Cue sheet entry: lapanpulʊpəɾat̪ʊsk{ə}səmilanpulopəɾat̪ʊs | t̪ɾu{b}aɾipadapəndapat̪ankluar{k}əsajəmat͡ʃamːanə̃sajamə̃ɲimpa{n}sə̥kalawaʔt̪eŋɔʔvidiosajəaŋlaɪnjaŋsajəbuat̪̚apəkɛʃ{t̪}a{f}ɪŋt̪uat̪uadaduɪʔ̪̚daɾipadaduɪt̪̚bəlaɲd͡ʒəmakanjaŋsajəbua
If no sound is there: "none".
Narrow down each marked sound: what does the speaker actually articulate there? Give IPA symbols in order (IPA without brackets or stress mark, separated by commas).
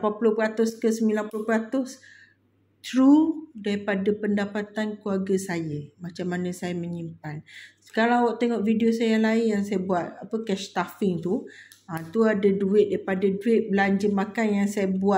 ə, d, ɡ, n, t̪, f